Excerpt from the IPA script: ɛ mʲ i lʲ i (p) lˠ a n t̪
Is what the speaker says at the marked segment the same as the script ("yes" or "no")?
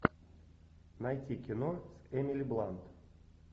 no